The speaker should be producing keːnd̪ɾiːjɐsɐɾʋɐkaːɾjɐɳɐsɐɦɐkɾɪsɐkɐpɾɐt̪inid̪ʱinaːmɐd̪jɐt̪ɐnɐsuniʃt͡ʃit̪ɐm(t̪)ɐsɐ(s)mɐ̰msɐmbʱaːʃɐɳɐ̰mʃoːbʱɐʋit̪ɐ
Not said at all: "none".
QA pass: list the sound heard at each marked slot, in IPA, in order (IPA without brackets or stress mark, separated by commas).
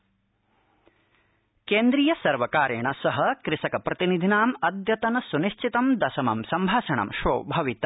d̪, none